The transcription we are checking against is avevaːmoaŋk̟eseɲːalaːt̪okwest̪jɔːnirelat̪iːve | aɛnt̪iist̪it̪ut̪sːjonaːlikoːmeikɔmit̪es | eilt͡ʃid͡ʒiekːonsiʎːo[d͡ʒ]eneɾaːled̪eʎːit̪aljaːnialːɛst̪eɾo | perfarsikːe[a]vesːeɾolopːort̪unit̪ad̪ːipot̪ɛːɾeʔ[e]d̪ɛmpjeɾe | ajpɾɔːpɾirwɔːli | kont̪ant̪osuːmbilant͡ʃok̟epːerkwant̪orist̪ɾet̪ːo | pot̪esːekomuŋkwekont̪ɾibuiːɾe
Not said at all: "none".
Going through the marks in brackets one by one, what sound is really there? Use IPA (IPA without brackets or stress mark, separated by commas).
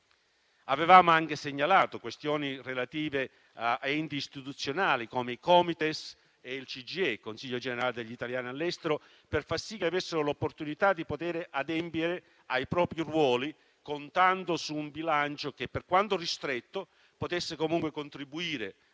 d͡ʒ, a, a